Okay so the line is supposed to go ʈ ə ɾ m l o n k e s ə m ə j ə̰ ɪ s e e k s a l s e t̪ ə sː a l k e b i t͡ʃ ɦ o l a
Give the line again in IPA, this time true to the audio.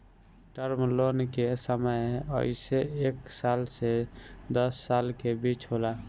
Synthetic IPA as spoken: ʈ ə ɾ m l o n k e s ə m ə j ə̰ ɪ s e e k s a l s e d̪ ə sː a l k e b i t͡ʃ ɦ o l a